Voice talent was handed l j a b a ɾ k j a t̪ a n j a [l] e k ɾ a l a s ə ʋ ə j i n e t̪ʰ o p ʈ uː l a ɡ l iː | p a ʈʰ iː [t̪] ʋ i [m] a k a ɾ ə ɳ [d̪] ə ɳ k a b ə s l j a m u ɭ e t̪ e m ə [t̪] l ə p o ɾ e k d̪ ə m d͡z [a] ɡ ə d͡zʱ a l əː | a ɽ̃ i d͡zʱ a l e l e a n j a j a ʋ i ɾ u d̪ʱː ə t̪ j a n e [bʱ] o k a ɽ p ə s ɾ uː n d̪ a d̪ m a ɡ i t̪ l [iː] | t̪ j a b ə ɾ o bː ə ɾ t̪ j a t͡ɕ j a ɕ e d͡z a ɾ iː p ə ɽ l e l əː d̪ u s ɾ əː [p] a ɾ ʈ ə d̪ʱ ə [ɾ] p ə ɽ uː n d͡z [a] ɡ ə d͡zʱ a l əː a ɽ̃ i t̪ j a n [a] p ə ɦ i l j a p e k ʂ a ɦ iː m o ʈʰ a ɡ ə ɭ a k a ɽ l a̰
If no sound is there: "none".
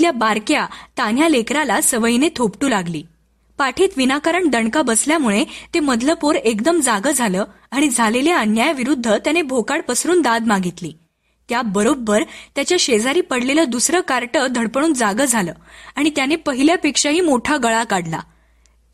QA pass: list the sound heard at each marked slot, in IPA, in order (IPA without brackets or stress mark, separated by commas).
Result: l, t̪, n, d̪, d̪, a, bʱ, iː, k, ɽ, a, e